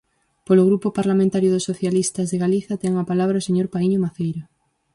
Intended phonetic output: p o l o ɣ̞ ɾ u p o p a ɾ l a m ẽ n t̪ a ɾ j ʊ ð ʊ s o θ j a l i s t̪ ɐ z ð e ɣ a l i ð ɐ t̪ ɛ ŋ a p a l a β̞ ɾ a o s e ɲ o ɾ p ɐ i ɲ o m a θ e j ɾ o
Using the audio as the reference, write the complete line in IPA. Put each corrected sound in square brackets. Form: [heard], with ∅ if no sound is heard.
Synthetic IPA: p o l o ɣ̞ ɾ u p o p a ɾ l a m ẽ n t̪ a ɾ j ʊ ð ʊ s o θ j a l i s t̪ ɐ z ð e ɣ a l i [θ] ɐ t̪ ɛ ŋ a p a l a β̞ ɾ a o s e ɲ o ɾ p [a] i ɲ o m a θ e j ɾ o

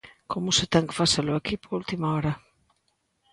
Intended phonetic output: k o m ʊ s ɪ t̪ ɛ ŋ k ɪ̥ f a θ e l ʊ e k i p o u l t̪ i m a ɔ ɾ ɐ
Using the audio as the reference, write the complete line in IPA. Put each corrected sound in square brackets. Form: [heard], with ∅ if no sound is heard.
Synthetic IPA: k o m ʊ s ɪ t̪ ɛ ŋ k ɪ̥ f a [s] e l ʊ [a] k i p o u l t̪ i m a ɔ ɾ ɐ

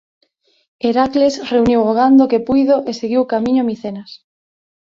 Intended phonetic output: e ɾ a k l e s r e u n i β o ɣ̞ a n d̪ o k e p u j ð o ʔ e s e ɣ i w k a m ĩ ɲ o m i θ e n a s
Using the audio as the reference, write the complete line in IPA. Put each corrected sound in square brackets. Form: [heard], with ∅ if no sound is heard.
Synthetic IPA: e ɾ a k l e s r e u n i [w] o ɣ̞ a n d̪ o k e p u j ð o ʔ e s e ɣ i w k a m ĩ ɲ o m i θ e n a s

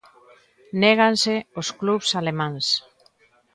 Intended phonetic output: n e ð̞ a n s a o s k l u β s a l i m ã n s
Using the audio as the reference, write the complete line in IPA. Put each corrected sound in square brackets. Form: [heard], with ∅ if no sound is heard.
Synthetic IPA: n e [ɣ̞] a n s [e] o s k l u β s a l [e] m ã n s

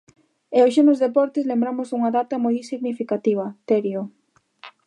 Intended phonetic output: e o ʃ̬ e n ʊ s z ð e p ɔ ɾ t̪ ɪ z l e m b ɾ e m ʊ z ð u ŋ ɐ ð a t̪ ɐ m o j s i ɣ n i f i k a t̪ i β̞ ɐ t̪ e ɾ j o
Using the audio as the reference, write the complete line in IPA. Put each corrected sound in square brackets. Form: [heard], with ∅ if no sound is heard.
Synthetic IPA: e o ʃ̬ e n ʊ [∅] z ð e p ɔ ɾ t̪ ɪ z l e m b ɾ [a] m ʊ z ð u ŋ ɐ ð a t̪ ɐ m o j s i ɣ n i f i k a t̪ i β̞ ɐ t̪ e ɾ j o

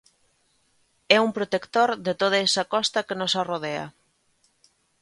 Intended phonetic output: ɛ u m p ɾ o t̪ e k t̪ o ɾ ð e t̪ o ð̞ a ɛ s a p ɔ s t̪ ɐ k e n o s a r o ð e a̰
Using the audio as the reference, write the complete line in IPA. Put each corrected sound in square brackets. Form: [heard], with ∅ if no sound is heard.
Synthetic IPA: ɛ u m p ɾ o t̪ e k t̪ o ɾ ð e t̪ o ð̞ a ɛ s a [k] ɔ s t̪ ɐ k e n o s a r o ð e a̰

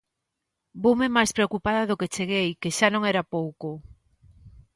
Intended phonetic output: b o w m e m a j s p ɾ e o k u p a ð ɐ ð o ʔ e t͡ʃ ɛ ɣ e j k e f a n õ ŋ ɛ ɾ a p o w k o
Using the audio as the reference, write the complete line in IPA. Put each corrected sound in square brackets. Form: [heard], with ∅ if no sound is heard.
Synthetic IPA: b o w m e m a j s p ɾ e o k u p a ð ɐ ð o [k] e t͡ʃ [e] ɣ e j k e [ʃ] a n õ ŋ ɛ ɾ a p o w k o

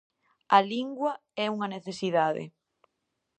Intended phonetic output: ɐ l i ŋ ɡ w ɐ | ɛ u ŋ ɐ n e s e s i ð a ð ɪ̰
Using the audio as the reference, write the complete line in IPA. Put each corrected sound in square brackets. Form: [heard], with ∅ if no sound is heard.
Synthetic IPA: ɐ l i ŋ ɡ w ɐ | ɛ u ŋ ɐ n e [θ] e s i ð a ð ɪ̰

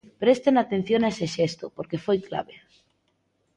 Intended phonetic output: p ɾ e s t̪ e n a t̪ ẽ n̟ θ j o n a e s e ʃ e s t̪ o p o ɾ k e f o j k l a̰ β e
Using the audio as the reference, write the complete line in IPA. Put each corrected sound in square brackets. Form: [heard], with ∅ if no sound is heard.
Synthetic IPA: p ɾ e s t̪ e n a t̪ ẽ n̟ θ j o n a e s e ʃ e s t̪ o p o ɾ k e f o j k l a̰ β e

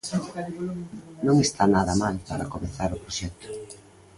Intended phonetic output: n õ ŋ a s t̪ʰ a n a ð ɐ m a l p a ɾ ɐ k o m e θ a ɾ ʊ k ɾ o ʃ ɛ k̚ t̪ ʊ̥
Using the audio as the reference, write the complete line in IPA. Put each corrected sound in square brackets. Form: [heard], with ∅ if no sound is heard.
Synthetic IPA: n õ ŋ [e] s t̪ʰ a n a ð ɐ m a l p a ɾ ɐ k o m e θ a ɾ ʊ [p] ɾ o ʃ ɛ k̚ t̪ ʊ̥

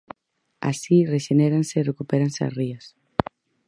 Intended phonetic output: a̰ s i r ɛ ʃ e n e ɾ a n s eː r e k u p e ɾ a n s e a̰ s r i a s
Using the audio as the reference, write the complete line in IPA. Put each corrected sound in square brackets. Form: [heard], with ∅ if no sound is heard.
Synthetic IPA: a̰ s i r [e] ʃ e n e ɾ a n s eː r e k u p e ɾ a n s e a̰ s r i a s

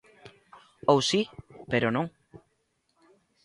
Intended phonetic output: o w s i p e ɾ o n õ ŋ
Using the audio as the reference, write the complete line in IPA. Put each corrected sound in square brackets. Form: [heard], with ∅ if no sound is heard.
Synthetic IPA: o w s i p e ɾ o n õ ŋ

